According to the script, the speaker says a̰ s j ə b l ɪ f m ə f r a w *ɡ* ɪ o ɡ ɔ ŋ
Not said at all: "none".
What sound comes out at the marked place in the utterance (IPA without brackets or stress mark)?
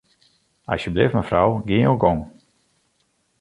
ɡ